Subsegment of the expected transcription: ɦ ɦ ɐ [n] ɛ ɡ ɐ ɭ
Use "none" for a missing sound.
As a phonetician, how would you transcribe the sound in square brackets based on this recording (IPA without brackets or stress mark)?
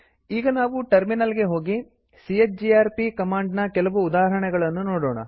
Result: ɳ